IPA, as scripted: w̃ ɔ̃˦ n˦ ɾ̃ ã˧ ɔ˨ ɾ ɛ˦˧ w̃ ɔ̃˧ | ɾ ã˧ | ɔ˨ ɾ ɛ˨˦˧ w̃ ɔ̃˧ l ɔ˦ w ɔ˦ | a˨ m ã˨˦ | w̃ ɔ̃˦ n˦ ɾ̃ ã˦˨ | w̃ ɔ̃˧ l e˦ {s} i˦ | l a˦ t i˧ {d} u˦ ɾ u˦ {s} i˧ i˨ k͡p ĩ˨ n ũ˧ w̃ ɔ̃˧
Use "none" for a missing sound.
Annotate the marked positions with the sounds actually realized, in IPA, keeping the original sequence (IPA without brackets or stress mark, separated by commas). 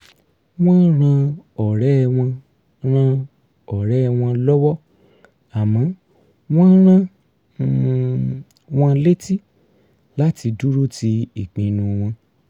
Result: t, d, t